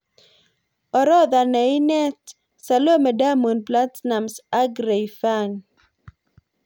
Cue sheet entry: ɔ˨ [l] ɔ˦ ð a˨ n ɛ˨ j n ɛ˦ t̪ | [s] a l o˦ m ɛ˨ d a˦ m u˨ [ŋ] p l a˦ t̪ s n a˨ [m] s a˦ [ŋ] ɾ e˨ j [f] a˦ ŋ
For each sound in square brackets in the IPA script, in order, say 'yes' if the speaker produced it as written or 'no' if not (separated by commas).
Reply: no, yes, no, yes, no, yes